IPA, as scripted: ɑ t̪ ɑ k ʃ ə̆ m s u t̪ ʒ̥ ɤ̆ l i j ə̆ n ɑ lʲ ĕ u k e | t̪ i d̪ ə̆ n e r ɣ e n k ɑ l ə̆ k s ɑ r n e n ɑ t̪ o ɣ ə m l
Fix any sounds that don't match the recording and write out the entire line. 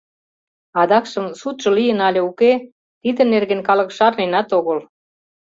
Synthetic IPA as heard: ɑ d̪ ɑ k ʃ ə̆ m s u t̪ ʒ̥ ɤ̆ l i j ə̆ n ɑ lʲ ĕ u k e | t̪ i d̪ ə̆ n e r ɣ e n k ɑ l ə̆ k ʃ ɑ r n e n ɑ t̪ o ɣ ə l